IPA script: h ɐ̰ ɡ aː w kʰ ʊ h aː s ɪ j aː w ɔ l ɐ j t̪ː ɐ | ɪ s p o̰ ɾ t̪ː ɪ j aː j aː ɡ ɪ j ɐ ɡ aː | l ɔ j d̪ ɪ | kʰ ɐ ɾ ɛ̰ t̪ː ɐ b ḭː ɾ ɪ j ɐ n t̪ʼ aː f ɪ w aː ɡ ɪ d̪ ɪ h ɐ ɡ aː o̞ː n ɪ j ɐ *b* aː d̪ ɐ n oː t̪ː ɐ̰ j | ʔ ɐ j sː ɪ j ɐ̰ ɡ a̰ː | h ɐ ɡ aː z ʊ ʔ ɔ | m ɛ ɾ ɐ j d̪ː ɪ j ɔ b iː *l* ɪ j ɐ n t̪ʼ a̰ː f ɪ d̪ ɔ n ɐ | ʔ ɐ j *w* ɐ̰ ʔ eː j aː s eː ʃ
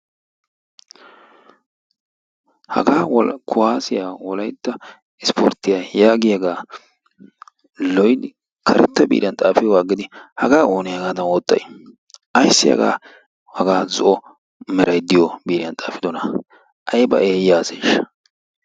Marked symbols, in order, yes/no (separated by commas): no, no, no